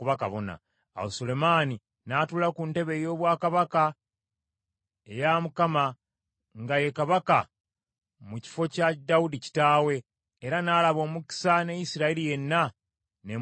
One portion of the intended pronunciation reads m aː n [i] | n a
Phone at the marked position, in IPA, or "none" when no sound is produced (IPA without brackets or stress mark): i